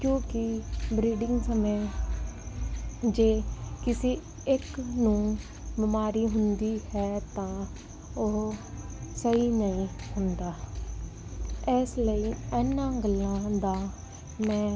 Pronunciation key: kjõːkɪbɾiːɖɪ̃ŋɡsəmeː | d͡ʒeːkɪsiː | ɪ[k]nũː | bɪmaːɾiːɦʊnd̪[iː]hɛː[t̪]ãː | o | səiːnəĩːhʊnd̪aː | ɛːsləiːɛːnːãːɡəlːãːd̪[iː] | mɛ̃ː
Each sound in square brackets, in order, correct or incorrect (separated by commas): correct, correct, correct, incorrect